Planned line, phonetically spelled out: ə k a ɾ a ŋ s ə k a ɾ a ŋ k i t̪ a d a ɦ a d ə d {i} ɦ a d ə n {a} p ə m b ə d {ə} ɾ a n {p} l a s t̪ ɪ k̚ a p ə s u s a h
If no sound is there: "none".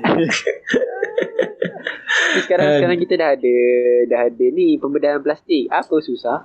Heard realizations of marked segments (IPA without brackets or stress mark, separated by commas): a, i, a, p